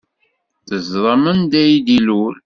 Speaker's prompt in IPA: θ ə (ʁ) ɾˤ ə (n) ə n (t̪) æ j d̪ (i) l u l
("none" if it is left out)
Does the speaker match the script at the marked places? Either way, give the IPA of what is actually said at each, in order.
z, m, d̪, i

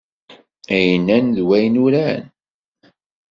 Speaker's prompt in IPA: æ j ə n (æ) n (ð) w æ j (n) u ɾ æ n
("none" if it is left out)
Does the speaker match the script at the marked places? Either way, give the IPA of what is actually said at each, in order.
æ, ð, n

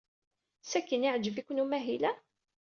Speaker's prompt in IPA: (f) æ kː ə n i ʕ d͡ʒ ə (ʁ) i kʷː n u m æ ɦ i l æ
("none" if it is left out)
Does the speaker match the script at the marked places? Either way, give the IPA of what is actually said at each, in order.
s, v

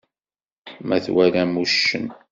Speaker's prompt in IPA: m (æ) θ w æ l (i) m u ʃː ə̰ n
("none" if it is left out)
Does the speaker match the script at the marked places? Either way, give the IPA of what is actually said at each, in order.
æ, æ

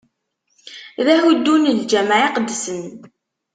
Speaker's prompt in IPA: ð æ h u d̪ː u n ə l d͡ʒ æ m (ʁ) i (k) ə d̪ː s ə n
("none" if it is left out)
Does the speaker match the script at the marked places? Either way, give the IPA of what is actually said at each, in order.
ʕ, q

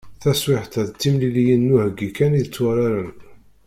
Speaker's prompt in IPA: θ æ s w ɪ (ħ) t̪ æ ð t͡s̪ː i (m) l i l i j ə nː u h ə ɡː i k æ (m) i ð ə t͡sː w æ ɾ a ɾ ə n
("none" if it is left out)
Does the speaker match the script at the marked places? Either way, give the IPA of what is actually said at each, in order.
ħ, m, n

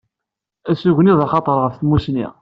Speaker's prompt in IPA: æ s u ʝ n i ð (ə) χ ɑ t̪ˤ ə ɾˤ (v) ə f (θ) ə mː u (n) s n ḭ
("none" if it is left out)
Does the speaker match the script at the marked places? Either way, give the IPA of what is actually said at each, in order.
ɑ, ʁ, θ, none

